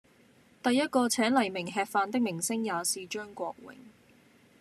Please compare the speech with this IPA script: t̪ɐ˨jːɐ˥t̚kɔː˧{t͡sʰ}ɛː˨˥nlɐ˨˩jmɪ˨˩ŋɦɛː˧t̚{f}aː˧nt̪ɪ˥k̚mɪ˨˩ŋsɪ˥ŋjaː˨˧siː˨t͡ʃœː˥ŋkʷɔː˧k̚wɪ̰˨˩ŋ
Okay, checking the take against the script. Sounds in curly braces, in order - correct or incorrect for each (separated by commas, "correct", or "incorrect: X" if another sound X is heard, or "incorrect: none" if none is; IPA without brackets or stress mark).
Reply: correct, correct